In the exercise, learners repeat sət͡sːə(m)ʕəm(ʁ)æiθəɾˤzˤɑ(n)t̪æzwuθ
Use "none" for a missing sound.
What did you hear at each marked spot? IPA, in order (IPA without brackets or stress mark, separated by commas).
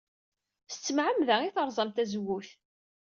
m, ð, m